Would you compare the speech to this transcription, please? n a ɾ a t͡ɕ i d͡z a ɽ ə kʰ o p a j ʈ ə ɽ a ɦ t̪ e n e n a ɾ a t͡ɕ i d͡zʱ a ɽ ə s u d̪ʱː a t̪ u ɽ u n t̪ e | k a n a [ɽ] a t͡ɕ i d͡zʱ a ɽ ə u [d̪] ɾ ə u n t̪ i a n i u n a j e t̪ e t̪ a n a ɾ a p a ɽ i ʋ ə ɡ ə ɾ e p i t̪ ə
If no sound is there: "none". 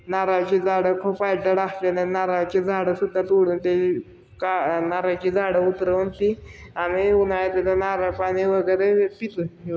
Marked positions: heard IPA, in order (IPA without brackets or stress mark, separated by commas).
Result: ɾ, t̪